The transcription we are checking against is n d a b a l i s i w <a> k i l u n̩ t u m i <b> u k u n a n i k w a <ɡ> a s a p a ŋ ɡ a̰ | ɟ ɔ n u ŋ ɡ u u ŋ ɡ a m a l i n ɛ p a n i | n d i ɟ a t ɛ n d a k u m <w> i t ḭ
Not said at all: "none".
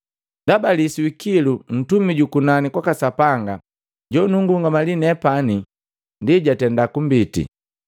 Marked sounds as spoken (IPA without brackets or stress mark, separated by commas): i, ɟ, k, b